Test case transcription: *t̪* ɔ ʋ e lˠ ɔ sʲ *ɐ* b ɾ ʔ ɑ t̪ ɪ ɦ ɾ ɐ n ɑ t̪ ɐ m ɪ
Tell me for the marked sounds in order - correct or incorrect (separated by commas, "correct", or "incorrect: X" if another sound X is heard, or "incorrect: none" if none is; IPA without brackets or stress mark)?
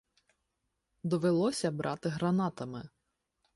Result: incorrect: d̪, correct